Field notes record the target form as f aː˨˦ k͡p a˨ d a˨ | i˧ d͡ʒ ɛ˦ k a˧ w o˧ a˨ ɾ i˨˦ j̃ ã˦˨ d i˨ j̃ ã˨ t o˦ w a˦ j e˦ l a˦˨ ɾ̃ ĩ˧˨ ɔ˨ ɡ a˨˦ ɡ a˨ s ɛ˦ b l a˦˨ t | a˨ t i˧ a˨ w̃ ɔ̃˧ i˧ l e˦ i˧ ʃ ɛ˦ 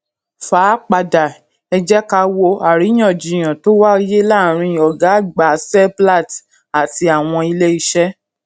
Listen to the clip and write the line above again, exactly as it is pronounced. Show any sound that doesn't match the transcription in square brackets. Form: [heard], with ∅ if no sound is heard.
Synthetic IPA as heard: f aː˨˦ k͡p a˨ d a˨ | [ɛ˧] d͡ʒ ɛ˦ k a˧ w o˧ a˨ ɾ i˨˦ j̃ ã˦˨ [d͡ʒ] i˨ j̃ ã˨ t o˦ w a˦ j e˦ l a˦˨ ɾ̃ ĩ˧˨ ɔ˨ ɡ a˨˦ [ɡ͡b] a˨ s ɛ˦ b l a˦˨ t | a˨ t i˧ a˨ w̃ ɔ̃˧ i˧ l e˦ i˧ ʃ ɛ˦